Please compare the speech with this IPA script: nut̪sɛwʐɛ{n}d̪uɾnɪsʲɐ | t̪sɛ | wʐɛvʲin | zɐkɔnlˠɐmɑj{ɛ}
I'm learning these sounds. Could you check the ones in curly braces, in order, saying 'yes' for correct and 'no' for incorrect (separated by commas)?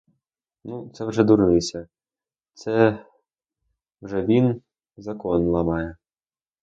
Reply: no, yes